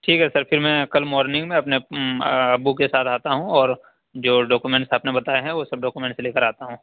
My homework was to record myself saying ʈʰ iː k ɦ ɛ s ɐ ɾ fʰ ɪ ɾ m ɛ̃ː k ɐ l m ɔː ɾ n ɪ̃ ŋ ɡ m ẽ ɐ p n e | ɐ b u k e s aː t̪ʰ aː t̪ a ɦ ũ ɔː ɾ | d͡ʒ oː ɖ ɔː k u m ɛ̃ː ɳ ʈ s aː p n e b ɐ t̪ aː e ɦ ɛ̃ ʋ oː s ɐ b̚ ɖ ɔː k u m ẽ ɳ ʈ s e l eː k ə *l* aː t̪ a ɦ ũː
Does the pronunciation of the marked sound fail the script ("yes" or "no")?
yes